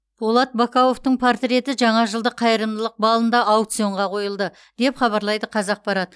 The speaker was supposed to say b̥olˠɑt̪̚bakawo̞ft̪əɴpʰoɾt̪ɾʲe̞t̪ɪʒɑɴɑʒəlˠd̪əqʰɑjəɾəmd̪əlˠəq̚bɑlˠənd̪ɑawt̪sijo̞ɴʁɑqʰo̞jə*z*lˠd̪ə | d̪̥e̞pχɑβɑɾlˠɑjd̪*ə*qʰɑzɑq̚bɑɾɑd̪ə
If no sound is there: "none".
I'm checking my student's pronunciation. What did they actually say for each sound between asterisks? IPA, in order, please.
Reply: none, ə

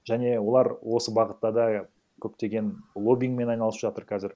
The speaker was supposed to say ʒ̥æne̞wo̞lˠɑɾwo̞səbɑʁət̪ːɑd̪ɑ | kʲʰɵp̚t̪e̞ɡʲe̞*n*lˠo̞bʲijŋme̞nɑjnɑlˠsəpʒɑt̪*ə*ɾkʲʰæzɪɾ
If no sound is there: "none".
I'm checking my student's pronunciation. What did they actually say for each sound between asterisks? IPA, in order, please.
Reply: n, ə

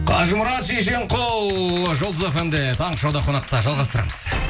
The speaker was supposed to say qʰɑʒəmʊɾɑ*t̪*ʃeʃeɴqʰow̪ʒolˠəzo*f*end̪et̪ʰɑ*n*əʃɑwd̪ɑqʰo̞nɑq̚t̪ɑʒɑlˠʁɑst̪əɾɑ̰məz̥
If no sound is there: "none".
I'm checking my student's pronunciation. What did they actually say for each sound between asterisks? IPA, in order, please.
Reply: t̪, f, ɴ

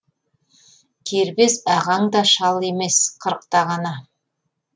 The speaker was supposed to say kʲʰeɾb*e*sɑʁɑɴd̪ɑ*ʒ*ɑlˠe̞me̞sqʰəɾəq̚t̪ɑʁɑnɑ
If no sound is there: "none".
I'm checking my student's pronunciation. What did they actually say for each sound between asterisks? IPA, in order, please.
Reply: e, ʃ

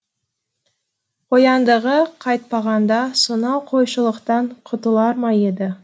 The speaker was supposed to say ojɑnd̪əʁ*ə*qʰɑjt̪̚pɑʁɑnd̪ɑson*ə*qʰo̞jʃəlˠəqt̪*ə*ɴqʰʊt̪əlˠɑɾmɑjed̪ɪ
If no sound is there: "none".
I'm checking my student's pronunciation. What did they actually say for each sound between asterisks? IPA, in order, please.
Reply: ə, ɑ, ɑ

